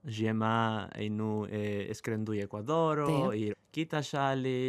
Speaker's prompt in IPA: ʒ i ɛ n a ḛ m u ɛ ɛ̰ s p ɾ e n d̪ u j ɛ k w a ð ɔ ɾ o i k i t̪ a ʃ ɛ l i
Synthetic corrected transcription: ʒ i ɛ m a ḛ n u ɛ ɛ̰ s k ɾ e n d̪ u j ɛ k w a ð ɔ ɾ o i k i t̪ a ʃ a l i